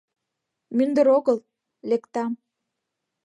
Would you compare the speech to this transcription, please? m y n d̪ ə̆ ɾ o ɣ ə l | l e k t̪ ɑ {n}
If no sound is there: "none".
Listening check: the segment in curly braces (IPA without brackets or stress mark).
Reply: m